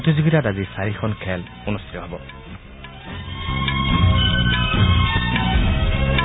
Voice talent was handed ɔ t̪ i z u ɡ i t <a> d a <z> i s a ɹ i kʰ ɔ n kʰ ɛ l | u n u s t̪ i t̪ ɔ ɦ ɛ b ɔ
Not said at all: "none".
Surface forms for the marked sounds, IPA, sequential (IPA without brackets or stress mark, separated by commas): a, z